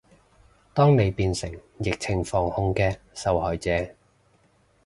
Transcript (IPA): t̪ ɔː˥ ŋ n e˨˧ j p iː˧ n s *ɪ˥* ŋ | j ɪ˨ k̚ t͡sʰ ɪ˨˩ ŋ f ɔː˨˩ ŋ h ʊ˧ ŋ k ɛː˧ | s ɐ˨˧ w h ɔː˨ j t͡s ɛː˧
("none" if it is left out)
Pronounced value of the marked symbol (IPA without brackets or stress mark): ɪ˨˩